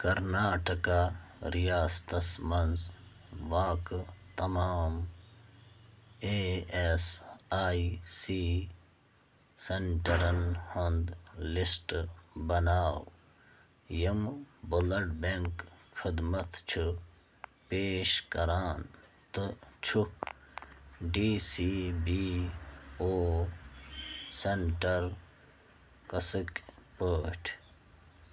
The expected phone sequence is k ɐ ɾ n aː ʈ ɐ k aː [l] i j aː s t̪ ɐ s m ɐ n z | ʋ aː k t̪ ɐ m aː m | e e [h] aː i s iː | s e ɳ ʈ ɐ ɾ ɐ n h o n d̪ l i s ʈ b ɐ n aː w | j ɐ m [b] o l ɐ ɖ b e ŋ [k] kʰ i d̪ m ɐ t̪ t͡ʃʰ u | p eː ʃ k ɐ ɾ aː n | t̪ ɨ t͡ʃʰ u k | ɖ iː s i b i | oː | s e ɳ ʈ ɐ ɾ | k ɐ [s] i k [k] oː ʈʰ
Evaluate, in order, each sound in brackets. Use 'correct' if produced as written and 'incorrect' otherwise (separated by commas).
incorrect, incorrect, correct, correct, correct, incorrect